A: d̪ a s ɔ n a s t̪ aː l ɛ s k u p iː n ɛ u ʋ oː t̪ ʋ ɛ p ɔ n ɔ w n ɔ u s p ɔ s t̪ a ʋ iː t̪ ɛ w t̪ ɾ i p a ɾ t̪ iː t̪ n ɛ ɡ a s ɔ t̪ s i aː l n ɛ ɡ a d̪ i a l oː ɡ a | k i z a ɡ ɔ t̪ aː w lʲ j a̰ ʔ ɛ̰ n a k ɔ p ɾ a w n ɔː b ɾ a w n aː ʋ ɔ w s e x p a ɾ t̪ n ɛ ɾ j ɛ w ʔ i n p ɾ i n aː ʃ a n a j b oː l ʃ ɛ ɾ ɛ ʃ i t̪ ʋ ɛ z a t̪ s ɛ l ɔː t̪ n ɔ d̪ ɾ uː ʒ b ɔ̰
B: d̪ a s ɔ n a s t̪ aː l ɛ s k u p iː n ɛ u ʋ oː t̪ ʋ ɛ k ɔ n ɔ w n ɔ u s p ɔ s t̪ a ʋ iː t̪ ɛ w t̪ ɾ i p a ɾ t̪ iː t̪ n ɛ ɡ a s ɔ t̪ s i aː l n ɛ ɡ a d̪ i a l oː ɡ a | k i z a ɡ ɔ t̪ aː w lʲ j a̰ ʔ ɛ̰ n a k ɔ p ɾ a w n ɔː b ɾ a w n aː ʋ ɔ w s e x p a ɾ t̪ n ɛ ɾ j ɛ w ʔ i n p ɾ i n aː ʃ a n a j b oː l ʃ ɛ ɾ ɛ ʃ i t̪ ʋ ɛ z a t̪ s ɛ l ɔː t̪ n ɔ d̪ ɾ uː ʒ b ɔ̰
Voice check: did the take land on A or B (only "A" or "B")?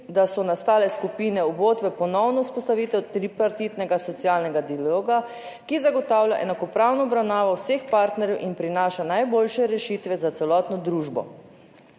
A